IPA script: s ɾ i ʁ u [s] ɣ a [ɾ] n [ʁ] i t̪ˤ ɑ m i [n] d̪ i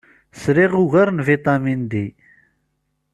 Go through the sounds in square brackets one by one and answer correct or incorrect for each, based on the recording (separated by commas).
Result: incorrect, correct, incorrect, correct